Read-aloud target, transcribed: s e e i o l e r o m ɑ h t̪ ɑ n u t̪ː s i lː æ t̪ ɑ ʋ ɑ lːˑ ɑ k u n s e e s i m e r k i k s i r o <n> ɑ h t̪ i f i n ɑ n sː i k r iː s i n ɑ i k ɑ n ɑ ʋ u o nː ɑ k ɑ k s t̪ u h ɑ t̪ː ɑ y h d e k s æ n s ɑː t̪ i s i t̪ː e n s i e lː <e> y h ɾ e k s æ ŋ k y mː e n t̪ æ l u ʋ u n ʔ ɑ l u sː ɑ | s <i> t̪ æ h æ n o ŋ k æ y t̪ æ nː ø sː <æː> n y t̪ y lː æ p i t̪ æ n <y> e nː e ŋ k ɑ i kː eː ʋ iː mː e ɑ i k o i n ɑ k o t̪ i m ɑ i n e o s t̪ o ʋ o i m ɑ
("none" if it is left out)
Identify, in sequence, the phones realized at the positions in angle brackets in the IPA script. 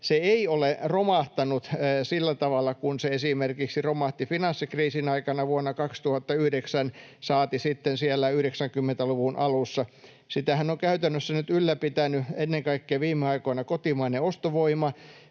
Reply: m, æ, i, æ, y

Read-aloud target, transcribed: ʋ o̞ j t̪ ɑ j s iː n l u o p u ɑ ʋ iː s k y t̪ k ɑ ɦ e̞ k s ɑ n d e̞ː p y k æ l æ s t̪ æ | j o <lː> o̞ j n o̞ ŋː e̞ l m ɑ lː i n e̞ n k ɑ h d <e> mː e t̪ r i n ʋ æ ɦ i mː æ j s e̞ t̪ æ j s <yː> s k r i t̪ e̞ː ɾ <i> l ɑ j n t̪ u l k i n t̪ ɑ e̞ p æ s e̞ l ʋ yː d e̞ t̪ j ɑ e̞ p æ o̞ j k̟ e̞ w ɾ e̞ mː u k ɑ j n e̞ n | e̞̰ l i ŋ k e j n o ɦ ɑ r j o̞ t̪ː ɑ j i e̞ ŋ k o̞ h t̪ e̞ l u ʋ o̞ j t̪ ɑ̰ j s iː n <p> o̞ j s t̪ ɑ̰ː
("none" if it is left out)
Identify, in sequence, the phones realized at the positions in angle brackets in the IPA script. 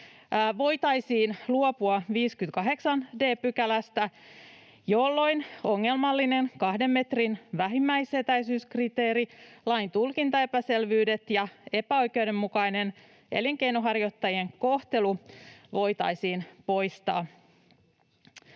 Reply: lː, e, yː, i, p

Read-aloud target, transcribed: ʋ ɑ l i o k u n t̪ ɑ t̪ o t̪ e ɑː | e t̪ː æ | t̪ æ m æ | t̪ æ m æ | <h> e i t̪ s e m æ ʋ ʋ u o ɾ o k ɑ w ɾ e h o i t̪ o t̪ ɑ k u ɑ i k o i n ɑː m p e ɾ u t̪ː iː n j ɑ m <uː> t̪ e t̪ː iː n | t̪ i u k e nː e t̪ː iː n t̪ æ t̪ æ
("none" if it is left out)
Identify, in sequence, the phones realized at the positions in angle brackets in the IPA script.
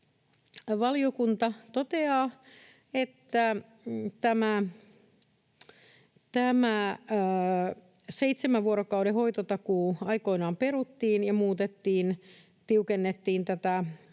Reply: s, uː

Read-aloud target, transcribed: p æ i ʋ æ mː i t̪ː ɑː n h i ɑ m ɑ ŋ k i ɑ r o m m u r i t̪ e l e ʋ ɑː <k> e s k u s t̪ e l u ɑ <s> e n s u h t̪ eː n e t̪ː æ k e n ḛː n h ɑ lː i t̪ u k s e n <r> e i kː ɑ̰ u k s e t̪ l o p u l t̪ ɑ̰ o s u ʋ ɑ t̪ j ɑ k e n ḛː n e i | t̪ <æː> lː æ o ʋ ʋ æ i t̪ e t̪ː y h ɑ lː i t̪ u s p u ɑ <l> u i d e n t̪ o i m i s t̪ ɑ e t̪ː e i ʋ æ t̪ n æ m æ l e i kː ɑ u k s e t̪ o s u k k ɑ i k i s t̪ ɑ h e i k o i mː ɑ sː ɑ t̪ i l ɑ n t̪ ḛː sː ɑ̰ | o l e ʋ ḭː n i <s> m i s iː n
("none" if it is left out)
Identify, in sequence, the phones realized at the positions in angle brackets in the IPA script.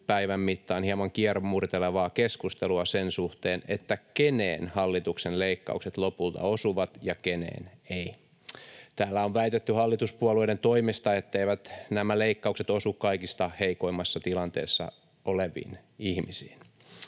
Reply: k, s, l, æː, l, h

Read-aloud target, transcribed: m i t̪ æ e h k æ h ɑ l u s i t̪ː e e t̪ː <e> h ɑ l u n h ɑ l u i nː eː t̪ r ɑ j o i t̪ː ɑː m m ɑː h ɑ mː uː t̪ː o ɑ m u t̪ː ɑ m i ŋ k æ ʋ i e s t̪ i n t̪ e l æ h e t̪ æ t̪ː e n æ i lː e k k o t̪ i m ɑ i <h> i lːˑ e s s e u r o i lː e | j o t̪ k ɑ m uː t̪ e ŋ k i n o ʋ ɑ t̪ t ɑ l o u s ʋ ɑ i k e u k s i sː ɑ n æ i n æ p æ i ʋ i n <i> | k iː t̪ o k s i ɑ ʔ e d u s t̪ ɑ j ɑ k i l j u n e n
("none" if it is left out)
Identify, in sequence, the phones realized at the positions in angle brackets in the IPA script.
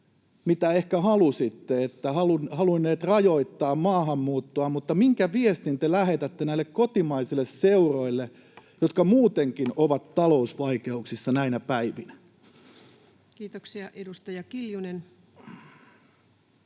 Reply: æ, s, æ

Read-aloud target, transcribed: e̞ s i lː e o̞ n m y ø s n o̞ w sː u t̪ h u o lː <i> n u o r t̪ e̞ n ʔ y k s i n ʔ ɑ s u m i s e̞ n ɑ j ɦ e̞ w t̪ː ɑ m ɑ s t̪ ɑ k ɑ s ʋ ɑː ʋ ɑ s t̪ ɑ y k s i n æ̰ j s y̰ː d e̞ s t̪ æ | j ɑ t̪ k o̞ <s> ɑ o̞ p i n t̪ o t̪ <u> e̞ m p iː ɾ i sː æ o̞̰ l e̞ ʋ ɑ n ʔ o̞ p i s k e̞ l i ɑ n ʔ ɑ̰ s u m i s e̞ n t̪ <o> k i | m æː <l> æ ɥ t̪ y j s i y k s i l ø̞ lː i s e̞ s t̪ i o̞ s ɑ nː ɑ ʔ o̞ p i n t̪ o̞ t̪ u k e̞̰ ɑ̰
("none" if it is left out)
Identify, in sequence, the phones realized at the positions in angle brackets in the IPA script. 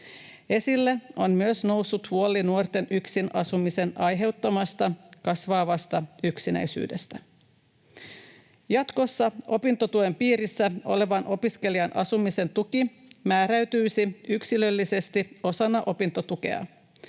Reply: i, sː, u, u, ɾ

